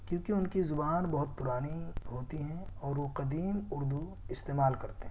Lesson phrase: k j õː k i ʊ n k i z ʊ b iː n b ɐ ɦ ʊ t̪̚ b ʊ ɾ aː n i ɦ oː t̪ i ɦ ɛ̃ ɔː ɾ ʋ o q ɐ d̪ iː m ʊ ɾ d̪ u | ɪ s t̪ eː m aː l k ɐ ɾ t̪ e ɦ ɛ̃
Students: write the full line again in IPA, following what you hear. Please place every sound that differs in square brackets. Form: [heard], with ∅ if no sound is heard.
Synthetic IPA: k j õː k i ʊ n k i z ʊ b [aː] n b ɐ ɦ ʊ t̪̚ [p] ʊ ɾ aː n i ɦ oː t̪ i ɦ ɛ̃ ɔː ɾ ʋ o q ɐ d̪ iː m ʊ ɾ d̪ u | ɪ s t̪ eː m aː l k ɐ ɾ t̪ e ɦ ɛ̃